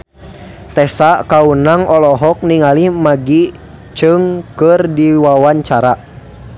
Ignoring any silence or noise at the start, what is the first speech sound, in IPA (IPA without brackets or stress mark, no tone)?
t̪